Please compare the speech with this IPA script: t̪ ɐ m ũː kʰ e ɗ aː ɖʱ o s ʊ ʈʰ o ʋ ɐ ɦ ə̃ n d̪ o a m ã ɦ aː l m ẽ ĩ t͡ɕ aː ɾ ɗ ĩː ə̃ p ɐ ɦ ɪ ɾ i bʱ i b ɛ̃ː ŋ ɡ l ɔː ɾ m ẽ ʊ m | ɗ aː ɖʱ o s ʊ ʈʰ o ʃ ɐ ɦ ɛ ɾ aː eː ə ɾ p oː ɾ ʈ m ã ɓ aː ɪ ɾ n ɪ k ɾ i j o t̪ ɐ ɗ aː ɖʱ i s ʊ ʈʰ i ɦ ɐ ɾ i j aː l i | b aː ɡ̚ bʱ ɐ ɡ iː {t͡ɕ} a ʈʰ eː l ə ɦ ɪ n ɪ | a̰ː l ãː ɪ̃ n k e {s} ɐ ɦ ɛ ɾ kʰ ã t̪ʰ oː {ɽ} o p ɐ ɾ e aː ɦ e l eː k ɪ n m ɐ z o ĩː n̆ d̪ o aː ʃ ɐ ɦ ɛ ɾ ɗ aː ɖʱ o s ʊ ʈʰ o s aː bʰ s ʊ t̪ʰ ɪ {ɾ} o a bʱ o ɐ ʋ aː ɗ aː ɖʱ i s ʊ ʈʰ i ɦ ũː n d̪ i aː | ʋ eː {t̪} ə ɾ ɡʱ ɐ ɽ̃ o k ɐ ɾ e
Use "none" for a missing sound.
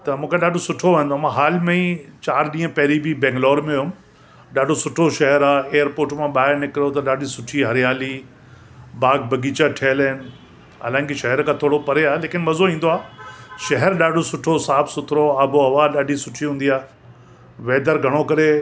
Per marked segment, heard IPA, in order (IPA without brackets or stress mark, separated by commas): t͡ɕ, ʃ, ɽ, ɾ, d̪